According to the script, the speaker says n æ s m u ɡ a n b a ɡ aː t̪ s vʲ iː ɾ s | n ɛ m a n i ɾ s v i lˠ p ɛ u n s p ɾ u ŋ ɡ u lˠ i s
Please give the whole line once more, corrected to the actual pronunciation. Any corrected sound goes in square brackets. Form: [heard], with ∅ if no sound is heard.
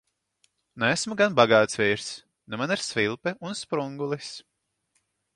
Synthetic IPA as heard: n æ s m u ɡ a n b a ɡ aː t̪ s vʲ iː ɾ s | n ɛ m a n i ɾ s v i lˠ p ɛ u n s p ɾ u ŋ ɡ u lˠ i s

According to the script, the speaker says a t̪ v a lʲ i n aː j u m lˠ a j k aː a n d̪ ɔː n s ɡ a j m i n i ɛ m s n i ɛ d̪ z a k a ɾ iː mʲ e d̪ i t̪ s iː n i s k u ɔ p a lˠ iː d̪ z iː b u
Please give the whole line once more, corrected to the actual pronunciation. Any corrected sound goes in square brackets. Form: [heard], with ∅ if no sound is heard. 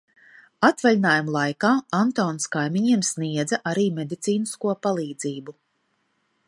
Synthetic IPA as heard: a t̪ v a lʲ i n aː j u m lˠ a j k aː a n [t̪] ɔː n s [k] a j m i [ɲ] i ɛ m s n i ɛ d̪ z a [ʔ] a ɾ iː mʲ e d̪ i t̪ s iː n i s k u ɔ p a lˠ iː d̪ z iː b u

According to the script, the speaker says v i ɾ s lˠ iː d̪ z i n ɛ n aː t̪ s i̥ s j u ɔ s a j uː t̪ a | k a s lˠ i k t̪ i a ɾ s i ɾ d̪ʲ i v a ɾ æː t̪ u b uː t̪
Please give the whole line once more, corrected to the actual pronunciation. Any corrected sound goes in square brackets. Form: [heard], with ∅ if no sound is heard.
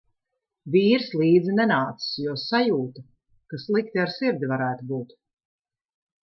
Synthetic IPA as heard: v [iː] ɾ s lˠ iː d̪ z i n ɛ n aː t̪ s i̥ s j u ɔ s a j uː t̪ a | k a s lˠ i k t̪ i a ɾ s i ɾ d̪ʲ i v a ɾ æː t̪ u b uː t̪

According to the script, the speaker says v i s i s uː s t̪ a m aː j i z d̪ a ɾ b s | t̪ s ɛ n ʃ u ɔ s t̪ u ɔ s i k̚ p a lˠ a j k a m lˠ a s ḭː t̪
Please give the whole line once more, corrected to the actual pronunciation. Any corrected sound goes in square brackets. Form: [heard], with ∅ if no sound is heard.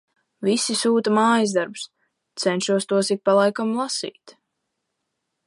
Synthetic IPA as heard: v i s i s uː [∅] t̪ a m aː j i z d̪ a ɾ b s | t̪ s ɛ n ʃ u ɔ s t̪ u ɔ s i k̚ p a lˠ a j k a m lˠ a s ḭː t̪

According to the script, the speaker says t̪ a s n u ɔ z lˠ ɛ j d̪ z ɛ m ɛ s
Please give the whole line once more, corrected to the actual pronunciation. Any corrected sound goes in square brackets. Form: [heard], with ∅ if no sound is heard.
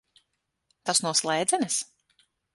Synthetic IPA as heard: t̪ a s n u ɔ [s] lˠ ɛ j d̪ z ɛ [n] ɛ s

